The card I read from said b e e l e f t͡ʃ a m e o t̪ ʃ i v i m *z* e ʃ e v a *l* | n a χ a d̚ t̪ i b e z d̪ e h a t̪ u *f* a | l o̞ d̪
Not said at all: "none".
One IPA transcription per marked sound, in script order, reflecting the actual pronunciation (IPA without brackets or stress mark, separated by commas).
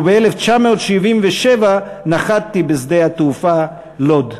v, none, f